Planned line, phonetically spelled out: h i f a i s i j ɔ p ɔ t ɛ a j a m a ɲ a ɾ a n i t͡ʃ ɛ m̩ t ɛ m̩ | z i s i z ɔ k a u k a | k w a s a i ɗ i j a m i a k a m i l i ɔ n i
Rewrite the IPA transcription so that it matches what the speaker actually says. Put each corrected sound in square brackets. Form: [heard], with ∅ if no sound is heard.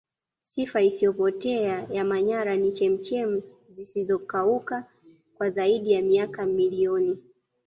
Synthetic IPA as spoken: [s] i f a i s i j ɔ p ɔ t ɛ a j a m a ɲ a ɾ a n i t͡ʃ ɛ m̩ [t͡ʃ] ɛ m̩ | z i s i z ɔ k a u k a | k w a [z] a i ɗ i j a m i a k a m i l i ɔ n i